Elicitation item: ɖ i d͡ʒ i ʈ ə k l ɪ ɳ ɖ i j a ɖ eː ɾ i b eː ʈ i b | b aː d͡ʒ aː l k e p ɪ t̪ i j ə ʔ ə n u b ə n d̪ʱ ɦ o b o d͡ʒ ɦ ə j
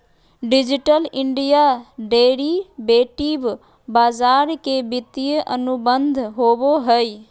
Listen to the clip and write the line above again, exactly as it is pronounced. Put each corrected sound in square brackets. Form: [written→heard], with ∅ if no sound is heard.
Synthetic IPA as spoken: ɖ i d͡ʒ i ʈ ə [k→∅] l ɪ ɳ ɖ i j a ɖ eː ɾ i b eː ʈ i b | b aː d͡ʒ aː [l→ɾ] k e [p→b] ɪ t̪ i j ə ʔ ə n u b ə n d̪ʱ ɦ o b o [d͡ʒ→∅] ɦ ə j